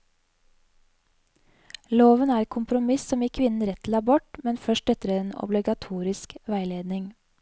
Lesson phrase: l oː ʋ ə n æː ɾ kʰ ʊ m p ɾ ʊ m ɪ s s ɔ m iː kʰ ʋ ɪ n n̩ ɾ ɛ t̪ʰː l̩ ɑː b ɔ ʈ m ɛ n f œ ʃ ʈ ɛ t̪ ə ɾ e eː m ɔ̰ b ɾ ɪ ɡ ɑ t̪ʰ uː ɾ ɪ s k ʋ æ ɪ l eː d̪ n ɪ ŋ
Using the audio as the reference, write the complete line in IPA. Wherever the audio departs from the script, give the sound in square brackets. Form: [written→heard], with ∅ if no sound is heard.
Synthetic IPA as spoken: l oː ʋ ə n æː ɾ kʰ ʊ m p ɾ ʊ m ɪ s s ɔ m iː kʰ ʋ ɪ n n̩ ɾ ɛ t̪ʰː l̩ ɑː b ɔ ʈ m ɛ n f œ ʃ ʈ ɛ t̪ ə ɾ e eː [m→n] ɔ̰ b [ɾ→l] ɪ ɡ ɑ t̪ʰ uː ɾ ɪ s k ʋ æ ɪ l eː d̪ n ɪ ŋ

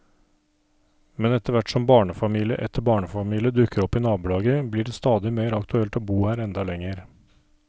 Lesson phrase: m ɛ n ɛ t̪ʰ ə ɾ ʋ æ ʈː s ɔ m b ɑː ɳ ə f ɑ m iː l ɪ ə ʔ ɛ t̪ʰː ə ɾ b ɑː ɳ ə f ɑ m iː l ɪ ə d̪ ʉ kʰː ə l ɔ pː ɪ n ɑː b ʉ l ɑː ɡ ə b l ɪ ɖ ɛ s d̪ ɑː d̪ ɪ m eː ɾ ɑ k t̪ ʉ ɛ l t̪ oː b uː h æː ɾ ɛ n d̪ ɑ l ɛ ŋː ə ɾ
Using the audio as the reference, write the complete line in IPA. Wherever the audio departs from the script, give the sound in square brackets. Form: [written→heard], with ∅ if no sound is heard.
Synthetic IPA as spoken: m ɛ n ɛ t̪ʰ ə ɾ ʋ æ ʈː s ɔ m b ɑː ɳ ə f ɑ m iː l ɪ ə ʔ ɛ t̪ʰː ə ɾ b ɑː ɳ ə f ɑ m iː l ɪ ə d̪ ʉ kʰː ə [l→ɾ] ɔ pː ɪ n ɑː b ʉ l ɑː ɡ ə b l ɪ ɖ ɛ s [d̪→t̪] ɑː d̪ ɪ m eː ɾ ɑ k t̪ ʉ ɛ l t̪ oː b uː h æː ɾ ɛ n d̪ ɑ l ɛ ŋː ə ɾ

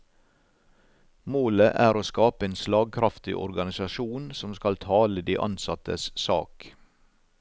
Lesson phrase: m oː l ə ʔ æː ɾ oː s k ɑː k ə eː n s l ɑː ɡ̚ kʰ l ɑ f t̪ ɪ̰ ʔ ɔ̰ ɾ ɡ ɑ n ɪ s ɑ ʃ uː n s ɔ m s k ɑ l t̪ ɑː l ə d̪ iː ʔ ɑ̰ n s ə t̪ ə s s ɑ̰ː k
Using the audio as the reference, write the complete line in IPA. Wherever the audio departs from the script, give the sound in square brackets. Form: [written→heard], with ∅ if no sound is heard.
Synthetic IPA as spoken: m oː l ə ʔ æː ɾ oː s k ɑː [k→p] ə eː n s l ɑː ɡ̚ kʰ [l→ɾ] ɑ f t̪ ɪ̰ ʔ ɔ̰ ɾ ɡ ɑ n ɪ s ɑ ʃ uː n s ɔ m s k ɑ l [t̪→t̪ʰ] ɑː l ə d̪ iː ʔ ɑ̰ n s [ə→ɑ] t̪ ə s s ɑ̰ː k

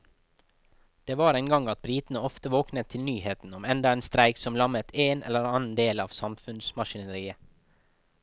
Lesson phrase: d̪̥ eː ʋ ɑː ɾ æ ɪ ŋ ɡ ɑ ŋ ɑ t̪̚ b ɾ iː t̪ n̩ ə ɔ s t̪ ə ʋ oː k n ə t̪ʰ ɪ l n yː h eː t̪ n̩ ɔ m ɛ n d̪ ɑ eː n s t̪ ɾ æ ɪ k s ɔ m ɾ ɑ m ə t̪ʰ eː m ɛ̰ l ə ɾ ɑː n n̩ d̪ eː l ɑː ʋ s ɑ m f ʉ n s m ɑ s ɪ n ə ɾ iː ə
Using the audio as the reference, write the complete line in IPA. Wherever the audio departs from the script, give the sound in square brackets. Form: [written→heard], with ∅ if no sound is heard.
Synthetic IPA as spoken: d̪̥ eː ʋ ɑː ɾ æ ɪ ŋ ɡ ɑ ŋ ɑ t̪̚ b ɾ iː t̪ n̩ ə ɔ [s→f] t̪ ə ʋ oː k n ə t̪ʰ ɪ l n yː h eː t̪ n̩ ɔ m ɛ n d̪ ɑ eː n s t̪ ɾ æ ɪ k s ɔ m [ɾ→l] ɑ m ə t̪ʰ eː [m→n] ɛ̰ l ə ɾ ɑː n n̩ d̪ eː l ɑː ʋ s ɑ m f ʉ n s m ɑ [s→ʃ] ɪ n ə ɾ iː ə

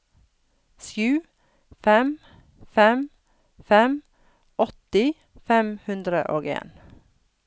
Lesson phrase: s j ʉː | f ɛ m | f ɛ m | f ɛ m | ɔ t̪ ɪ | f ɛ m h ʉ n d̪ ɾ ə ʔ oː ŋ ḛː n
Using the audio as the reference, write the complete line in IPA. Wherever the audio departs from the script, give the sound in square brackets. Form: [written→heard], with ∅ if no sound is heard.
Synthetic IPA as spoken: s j ʉː | f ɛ m | f ɛ m | f ɛ m | ɔ t̪ ɪ | f ɛ m h ʉ n d̪ ɾ ə ʔ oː [ŋ→ɡ] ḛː n

